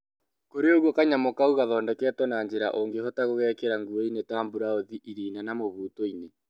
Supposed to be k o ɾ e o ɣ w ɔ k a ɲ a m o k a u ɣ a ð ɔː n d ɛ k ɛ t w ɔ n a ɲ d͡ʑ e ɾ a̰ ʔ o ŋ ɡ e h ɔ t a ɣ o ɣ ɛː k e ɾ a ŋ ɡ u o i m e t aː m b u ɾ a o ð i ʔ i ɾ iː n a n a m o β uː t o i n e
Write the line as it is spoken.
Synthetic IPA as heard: k o ɾ e o ɣ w ɔ k a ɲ a m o k a u ɣ a ð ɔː n d ɛ k ɛ t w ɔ n a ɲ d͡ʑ e ɾ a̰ ʔ o ŋ ɡ e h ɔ t a ɣ o ɣ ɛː k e ɾ a ŋ ɡ u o i n e t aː m b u ɾ a o ð i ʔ i ɾ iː n a n a m o β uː t o i n e